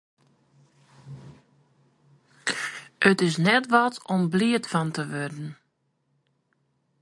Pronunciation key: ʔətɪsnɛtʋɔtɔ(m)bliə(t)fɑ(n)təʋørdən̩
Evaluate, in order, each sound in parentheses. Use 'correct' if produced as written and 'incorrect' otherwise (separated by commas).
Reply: correct, correct, correct